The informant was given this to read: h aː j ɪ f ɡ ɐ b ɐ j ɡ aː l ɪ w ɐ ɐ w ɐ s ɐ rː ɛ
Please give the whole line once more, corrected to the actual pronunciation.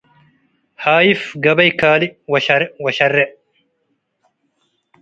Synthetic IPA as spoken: h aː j ɪ f ɡ ɐ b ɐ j k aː l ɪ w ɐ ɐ w ɐ ʃ ɐ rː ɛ

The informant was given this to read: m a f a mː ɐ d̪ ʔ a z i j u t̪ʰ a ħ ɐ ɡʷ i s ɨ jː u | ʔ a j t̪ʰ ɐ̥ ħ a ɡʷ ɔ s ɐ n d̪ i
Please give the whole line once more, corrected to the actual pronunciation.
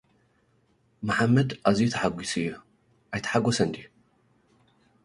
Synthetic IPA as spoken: m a ħ a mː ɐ d̪ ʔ a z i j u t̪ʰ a ħ a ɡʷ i s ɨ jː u | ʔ a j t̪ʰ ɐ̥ ħ a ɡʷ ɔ s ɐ n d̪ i

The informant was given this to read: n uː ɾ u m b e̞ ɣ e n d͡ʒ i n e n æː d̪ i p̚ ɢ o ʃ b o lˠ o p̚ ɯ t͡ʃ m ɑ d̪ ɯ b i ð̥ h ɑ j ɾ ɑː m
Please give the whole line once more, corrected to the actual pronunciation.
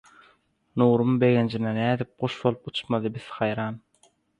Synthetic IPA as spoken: n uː ɾ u m b e̞ ɣ e n d͡ʒ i n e n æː d̪ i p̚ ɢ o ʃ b o lˠ u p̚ u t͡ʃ m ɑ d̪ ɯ b i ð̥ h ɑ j ɾ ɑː n

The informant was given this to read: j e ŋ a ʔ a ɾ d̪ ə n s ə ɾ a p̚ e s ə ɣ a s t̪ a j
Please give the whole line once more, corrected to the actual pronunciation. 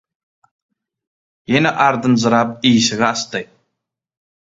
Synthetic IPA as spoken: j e n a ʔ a ɾ d̪ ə n z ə ɾ a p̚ i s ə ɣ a s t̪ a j

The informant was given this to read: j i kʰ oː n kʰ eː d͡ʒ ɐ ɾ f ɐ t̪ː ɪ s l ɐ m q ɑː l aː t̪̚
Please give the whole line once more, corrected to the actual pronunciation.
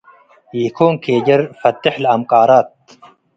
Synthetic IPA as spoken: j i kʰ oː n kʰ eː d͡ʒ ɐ ɾ f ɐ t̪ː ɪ ħ l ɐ m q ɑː ɾ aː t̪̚

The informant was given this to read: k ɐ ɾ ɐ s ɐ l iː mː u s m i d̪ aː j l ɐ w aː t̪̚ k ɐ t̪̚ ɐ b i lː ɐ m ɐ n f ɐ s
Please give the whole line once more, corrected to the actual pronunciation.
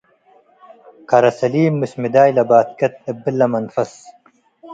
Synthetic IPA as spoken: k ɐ ɾ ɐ s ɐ l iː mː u s m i d̪ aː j l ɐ b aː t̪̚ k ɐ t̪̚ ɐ b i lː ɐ m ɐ n f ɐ s

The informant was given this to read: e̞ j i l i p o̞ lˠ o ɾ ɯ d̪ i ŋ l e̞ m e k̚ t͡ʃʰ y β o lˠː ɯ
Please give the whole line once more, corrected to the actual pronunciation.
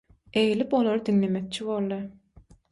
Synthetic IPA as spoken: e̞ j i l i p o̞ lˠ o ɾ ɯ d̪ i ŋ l e̞ m e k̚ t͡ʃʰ i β o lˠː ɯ

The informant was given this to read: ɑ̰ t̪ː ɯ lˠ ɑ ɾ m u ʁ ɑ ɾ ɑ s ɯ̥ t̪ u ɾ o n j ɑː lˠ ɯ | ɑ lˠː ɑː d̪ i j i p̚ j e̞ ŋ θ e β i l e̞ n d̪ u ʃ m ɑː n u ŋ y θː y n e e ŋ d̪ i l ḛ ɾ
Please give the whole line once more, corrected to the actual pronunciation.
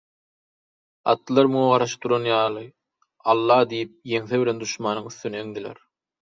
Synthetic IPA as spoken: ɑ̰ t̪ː ɯ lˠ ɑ ɾ m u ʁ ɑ ɾ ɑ ʃ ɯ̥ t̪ u ɾ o n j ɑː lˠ ɯ | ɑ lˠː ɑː d̪ i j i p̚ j e̞ ŋ θ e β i l e̞ n d̪ u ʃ m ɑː n ɯ ŋ y θː y n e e ŋ d̪ i l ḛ ɾ

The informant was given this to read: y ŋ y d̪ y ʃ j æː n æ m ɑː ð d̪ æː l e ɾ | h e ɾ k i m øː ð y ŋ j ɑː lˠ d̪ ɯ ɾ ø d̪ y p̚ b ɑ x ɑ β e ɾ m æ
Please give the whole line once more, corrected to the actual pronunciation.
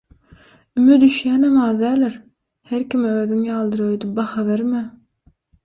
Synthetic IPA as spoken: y m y d̪ y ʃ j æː n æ m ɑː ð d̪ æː l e ɾ | h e ɾ k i m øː ð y ŋ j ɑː lˠ d̪ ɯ ɾ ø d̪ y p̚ b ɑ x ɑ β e ɾ m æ

